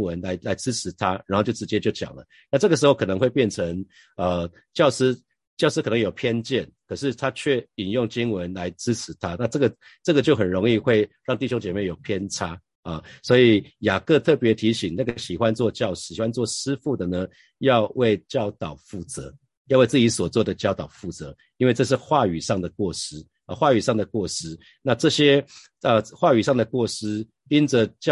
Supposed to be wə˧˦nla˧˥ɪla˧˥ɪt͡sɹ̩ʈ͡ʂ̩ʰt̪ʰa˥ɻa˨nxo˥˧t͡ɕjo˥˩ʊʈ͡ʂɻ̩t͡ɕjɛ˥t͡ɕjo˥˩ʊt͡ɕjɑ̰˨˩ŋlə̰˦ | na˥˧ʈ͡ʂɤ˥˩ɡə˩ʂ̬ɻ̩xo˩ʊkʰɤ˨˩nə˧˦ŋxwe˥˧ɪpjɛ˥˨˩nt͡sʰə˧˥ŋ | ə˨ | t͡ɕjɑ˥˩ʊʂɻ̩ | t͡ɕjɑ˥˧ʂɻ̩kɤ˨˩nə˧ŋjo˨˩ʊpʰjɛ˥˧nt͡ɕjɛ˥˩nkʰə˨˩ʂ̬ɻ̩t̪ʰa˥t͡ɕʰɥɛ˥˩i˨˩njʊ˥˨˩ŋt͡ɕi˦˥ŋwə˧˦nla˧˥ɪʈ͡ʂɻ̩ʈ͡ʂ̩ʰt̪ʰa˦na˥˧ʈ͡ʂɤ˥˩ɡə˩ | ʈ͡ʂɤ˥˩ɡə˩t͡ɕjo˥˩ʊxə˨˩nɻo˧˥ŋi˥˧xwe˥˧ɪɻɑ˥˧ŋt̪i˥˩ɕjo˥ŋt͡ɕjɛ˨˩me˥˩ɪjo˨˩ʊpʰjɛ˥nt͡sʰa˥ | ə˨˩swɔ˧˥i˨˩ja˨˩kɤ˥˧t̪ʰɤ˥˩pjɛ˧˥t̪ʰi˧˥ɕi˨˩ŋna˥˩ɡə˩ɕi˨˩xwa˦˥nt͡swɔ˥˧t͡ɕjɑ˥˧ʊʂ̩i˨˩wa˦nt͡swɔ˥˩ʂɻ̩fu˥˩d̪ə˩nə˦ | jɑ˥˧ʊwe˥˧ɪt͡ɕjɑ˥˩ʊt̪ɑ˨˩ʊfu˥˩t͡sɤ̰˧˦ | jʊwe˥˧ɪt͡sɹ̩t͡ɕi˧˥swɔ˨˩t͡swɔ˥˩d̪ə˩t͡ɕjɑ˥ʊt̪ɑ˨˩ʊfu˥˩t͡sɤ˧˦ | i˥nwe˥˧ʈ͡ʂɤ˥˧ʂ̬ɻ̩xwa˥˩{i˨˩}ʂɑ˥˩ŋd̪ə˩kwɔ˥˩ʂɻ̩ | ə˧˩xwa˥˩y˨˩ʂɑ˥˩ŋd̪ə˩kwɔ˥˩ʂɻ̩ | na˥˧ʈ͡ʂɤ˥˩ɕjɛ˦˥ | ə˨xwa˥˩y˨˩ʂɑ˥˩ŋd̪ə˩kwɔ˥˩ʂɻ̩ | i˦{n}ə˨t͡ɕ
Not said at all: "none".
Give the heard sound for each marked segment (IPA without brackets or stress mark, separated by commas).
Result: y˨˩, n